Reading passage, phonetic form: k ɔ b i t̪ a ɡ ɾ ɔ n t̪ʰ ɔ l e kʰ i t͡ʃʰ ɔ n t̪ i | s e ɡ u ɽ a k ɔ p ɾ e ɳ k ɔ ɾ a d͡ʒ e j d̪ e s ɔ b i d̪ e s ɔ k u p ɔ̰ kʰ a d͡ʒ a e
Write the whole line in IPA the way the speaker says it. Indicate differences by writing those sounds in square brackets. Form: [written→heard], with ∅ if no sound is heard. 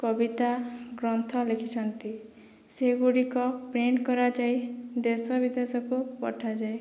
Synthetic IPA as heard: k ɔ b i t̪ a ɡ ɾ ɔ n t̪ʰ ɔ l e kʰ i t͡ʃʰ ɔ n t̪ i | s e ɡ u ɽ [a→i] k ɔ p ɾ e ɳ k ɔ ɾ a d͡ʒ [e→a] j d̪ e s ɔ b i d̪ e s ɔ k u p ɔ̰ [kʰ→ʈʰ] a d͡ʒ a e